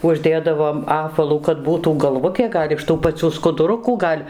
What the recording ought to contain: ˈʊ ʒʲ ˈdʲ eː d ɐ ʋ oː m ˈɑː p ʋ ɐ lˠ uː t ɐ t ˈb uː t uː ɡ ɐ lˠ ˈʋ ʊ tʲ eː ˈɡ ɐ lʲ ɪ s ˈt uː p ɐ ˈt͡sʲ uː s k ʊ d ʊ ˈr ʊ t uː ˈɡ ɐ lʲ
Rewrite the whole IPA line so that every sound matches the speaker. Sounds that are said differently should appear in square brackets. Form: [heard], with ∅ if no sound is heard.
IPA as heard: ˈʊ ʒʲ ˈdʲ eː d ɐ ʋ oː m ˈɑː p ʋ ɐ lˠ uː [k] ɐ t ˈb uː t uː ɡ ɐ lˠ ˈʋ ʊ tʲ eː ˈɡ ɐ lʲ ɪ [ʃ] ˈt uː p ɐ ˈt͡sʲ uː s k ʊ d ʊ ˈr ʊ [k] uː ˈɡ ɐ lʲ

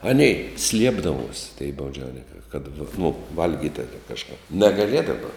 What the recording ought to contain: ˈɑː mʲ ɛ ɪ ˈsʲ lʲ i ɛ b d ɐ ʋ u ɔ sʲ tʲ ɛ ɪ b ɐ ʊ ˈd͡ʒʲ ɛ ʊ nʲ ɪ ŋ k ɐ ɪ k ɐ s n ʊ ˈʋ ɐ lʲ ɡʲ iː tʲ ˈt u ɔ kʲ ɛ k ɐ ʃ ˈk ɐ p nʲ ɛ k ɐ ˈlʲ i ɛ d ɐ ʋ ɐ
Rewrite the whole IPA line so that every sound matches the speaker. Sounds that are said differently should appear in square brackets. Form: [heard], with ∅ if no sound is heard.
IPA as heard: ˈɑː [nʲ] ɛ ɪ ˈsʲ lʲ i ɛ b d ɐ ʋ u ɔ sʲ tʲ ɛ ɪ b ɐ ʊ ˈd͡ʒʲ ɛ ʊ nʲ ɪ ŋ k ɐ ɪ k ɐ [t] n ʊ ˈʋ ɐ lʲ ɡʲ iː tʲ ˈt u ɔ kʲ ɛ k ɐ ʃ ˈk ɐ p nʲ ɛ [ɡ] ɐ ˈlʲ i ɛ d ɐ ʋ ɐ

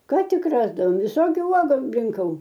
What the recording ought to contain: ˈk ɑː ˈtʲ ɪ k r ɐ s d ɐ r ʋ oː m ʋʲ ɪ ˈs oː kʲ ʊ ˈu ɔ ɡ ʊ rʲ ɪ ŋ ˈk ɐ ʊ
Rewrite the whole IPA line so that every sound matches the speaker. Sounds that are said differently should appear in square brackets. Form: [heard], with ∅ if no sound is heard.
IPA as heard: ˈk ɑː ˈtʲ ɪ k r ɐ [z] d ɐ [∅] ʋ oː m ʋʲ ɪ ˈs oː kʲ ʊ ˈu ɔ ɡ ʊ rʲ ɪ ŋ ˈk ɐ ʊ

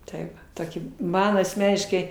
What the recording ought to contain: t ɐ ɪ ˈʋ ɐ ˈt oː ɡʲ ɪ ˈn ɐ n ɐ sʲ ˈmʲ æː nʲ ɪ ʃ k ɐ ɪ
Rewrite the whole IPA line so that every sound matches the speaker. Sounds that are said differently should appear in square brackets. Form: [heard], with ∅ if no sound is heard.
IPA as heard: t ɐ ɪ ˈʋ ɐ ˈt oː [kʲ] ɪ [ˈm] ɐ n ɐ sʲ ˈmʲ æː nʲ ɪ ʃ k ɐ ɪ

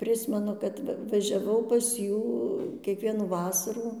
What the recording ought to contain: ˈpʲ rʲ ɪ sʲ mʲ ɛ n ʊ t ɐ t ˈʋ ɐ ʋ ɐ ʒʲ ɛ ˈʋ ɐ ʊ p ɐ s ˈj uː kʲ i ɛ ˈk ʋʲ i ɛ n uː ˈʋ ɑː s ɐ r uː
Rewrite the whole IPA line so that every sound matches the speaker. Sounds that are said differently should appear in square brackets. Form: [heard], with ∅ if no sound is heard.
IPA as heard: ˈpʲ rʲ ɪ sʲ mʲ ɛ n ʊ [k] ɐ t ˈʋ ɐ ʋ ɐ ʒʲ ɛ ˈʋ ɐ ʊ p ɐ s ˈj uː kʲ i ɛ ˈk ʋʲ i ɛ n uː ˈʋ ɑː s ɐ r uː

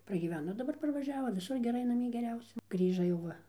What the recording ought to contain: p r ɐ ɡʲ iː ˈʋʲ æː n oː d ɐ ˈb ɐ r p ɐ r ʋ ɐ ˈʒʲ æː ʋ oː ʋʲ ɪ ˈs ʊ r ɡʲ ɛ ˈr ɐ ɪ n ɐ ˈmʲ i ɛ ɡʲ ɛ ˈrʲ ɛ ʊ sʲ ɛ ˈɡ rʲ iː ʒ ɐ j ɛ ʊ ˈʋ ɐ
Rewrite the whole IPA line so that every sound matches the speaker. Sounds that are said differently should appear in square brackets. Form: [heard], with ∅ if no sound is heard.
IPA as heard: p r ɐ ɡʲ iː ˈʋʲ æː n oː d ɐ ˈb ɐ r p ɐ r ʋ ɐ ˈʒʲ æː ʋ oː ʋʲ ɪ ˈs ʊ r ɡʲ ɛ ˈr ɐ ɪ n ɐ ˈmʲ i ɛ ɡʲ ɛ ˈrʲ ɛ ʊ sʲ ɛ ˈɡ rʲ iː ʒ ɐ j ɛ ʊ ˈʋ ɐ

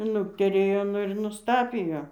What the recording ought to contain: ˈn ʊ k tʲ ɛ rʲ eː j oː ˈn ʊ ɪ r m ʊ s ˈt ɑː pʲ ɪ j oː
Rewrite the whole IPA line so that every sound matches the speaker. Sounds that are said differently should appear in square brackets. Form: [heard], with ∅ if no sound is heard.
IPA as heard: ˈn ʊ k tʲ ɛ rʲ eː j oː ˈn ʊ ɪ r [n] ʊ s ˈt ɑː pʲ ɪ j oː

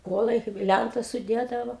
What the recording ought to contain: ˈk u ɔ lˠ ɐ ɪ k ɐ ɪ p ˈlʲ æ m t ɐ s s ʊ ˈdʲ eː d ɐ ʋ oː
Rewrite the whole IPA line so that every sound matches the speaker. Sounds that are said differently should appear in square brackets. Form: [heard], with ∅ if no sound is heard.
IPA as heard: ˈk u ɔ lˠ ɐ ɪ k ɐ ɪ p ˈlʲ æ [n] t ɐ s s ʊ ˈdʲ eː d ɐ ʋ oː

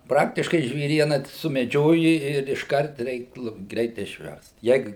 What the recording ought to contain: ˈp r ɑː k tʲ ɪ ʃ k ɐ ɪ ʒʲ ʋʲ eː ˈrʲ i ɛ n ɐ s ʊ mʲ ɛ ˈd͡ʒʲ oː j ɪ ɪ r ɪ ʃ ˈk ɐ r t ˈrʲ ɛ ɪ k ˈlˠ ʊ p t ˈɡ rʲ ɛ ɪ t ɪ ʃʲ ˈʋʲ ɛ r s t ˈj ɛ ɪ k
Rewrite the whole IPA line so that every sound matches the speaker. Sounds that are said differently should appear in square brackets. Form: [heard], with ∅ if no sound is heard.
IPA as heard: ˈp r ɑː k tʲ ɪ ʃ k ɐ ɪ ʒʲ ʋʲ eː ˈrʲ i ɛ n ɐ s ʊ mʲ ɛ ˈd͡ʒʲ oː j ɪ ɪ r ɪ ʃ ˈk ɐ r t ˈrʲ ɛ ɪ k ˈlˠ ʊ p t ˈɡ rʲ ɛ ɪ t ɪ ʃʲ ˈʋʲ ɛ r s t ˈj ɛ ɪ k

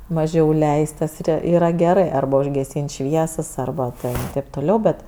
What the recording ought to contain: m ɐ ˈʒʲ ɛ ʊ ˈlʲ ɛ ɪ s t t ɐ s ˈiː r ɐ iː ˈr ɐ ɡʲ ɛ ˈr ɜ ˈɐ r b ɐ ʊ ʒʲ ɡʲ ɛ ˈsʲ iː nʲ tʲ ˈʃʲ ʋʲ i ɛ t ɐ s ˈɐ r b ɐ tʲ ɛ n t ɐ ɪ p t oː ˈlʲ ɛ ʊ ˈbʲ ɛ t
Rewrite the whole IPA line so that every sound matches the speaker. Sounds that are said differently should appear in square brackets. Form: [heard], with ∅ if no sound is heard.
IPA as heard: m ɐ ˈʒʲ ɛ ʊ ˈlʲ ɛ ɪ s t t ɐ s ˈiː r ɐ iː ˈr ɐ ɡʲ ɛ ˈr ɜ ˈɐ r b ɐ ʊ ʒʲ ɡʲ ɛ ˈsʲ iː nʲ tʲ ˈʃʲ ʋʲ i ɛ [s] ɐ s ˈɐ r b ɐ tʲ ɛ n t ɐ ɪ p t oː ˈlʲ ɛ ʊ ˈbʲ ɛ t

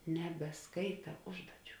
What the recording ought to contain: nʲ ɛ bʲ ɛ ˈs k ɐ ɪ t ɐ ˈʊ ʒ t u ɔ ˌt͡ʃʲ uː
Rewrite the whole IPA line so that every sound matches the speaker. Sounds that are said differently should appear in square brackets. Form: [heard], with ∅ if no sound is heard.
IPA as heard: nʲ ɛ bʲ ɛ ˈs k ɐ ɪ t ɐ ˈʊ ʒ [d] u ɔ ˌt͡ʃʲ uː

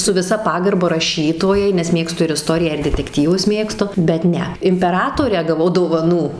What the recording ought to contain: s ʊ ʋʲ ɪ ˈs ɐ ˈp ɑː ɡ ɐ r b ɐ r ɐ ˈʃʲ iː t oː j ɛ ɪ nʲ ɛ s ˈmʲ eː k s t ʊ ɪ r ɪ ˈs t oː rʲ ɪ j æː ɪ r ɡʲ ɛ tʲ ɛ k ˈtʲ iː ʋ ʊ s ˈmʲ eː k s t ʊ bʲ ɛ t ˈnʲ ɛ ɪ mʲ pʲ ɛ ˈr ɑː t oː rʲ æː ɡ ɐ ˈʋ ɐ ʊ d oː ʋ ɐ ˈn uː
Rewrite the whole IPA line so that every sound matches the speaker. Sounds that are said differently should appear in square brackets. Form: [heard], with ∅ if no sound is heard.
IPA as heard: s ʊ ʋʲ ɪ ˈs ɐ ˈp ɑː ɡ ɐ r b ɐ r ɐ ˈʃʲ iː t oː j ɛ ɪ nʲ ɛ s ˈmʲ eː k s t ʊ ɪ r ɪ ˈs t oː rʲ ɪ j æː ɪ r [dʲ] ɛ tʲ ɛ k ˈtʲ iː ʋ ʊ s ˈmʲ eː k s t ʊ bʲ ɛ t ˈnʲ ɛ ɪ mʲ pʲ ɛ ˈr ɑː t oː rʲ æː ɡ ɐ ˈʋ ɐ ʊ d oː ʋ ɐ ˈn uː

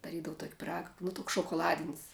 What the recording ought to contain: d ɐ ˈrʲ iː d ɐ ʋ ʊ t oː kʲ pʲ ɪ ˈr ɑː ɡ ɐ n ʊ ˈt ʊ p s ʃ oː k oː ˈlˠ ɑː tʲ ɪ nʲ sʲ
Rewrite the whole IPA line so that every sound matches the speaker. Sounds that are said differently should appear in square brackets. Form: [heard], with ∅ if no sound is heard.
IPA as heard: d ɐ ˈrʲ iː d ɐ ʋ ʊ t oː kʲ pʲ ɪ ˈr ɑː ɡ ɐ n ʊ ˈt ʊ [k] s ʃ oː k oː ˈlˠ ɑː [dʲ] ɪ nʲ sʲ

